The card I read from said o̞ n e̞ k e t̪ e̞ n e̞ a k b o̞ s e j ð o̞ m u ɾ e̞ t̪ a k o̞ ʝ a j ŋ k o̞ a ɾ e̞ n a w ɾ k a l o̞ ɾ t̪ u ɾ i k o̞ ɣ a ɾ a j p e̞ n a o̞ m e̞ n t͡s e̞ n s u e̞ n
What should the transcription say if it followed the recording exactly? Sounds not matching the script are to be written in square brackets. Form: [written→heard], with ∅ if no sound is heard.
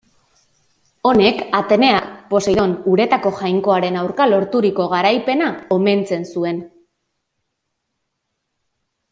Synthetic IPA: o̞ n e̞ k [e→a] t̪ e̞ n e̞ a k [b→p] o̞ s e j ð o̞ [m→n] u ɾ e̞ t̪ a k o̞ ʝ a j ŋ k o̞ a ɾ e̞ n a w ɾ k a l o̞ ɾ t̪ u ɾ i k o̞ ɣ a ɾ a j p e̞ n a o̞ m e̞ n t͡s e̞ n s u e̞ n